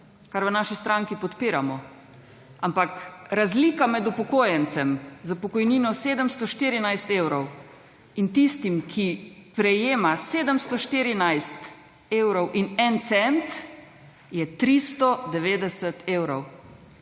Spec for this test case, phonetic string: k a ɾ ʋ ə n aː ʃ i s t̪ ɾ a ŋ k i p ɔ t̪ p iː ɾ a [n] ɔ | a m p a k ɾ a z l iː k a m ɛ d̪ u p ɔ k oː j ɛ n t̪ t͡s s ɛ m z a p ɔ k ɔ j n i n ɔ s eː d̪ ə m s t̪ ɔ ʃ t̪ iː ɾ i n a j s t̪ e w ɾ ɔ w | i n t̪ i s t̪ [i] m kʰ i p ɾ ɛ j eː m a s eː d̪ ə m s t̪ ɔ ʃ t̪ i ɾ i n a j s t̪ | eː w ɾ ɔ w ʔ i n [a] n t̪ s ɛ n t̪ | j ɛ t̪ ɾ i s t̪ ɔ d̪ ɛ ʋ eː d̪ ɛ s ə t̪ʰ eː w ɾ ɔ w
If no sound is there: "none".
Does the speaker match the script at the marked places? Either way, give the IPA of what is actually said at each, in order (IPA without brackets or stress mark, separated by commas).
m, i, ɛ